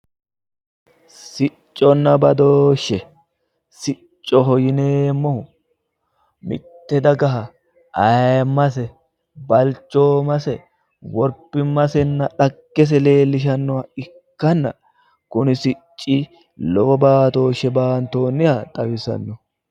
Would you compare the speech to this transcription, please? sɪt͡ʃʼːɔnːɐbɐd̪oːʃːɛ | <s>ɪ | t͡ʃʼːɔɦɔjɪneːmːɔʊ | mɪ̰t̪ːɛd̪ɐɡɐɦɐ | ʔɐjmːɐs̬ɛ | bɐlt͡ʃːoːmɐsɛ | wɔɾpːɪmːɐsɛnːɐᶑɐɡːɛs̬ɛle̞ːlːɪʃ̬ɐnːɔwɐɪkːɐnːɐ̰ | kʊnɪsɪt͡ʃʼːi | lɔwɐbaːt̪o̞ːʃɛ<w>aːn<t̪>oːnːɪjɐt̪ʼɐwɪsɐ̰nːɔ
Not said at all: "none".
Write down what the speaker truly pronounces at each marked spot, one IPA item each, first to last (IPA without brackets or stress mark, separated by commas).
s, b, t̪